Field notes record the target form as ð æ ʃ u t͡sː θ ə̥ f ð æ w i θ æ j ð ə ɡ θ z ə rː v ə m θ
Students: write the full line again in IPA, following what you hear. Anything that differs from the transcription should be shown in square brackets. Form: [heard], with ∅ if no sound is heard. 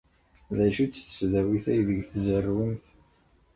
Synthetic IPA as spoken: ð æ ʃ u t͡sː θ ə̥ f ð æ w i θ æ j ð ə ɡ θ z ə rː [w] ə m θ